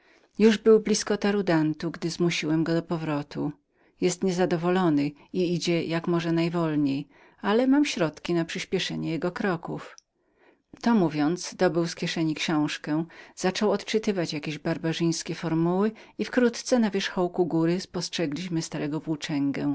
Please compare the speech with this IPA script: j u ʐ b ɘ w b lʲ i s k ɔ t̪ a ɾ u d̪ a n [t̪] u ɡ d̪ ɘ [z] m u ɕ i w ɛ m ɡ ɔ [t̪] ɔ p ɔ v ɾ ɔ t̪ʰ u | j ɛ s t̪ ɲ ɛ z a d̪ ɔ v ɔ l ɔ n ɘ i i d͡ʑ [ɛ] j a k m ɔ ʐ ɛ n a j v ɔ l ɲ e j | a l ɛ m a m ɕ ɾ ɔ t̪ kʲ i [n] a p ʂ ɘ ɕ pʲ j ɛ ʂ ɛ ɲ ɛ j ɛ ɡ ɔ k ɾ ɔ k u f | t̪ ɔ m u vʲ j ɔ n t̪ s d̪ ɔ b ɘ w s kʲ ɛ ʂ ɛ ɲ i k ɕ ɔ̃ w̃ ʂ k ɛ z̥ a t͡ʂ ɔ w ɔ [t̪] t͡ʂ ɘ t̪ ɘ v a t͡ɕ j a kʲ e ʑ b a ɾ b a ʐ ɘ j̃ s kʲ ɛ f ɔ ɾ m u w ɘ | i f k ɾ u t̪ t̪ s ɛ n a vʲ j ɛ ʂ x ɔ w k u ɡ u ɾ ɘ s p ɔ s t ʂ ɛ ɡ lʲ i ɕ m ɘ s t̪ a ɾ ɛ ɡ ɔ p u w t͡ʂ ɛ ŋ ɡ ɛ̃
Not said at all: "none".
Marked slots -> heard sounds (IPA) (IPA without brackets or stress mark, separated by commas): t̪, z, d̪, ɛ, n, t̪